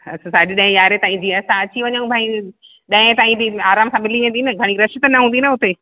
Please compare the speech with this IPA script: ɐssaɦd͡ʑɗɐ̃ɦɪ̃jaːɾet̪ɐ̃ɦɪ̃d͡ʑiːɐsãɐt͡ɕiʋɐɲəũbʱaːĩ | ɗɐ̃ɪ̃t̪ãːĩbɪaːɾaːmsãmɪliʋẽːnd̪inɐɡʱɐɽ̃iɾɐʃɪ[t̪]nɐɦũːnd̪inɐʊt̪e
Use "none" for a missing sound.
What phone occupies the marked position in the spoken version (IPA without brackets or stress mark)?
t̪